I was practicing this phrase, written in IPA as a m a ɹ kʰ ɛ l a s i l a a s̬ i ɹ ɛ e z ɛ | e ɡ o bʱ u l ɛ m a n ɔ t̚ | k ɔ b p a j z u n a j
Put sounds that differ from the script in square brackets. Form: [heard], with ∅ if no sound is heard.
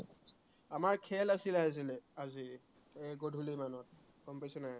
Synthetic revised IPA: a m a ɹ kʰ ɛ l a s i l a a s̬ i [l] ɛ [a] z [i] | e ɡ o [dʱ] u l [i] m a n ɔ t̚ | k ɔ [m] p a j [s] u n a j